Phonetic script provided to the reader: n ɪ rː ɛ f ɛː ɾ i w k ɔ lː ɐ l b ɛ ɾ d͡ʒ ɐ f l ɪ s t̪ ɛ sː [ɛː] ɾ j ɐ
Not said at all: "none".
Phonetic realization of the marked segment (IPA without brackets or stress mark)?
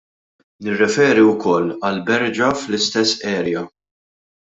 ɛː